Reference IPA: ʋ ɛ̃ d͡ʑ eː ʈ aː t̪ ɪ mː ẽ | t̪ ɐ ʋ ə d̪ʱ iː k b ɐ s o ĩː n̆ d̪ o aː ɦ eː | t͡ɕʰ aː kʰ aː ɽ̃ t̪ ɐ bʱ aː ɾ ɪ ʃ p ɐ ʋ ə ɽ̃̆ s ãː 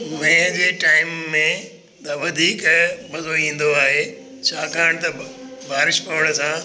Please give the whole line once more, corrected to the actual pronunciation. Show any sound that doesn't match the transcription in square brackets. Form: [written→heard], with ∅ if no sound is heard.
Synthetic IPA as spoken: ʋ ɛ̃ d͡ʑ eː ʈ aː [t̪→∅] ɪ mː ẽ | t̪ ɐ ʋ [ə→ɐ] d̪ʱ iː k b ɐ [s→z] o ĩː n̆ d̪ o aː ɦ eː | t͡ɕʰ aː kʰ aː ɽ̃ t̪ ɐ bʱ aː ɾ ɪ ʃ p ɐ ʋ ə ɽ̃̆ s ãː